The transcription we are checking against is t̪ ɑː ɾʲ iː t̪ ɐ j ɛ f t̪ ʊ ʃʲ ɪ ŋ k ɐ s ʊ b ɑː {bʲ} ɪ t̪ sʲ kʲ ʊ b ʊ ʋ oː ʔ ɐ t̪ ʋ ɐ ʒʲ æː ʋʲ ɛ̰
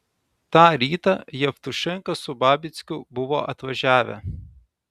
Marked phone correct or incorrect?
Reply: correct